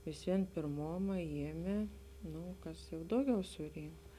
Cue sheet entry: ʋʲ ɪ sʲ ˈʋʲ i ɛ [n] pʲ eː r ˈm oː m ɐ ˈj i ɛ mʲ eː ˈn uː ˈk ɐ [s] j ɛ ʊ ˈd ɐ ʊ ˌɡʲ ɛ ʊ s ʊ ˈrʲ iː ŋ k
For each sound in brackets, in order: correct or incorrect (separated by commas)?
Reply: correct, correct